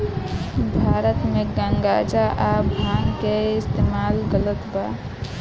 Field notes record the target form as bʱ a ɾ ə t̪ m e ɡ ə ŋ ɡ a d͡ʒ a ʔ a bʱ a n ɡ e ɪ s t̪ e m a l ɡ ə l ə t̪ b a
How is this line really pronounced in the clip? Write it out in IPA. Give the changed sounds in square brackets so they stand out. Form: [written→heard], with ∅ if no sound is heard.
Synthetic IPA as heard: bʱ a ɾ ə t̪ m e ɡ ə ŋ ɡ a d͡ʒ a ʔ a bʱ a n [ɡ→k] e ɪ s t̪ e m a l ɡ ə l ə t̪ b a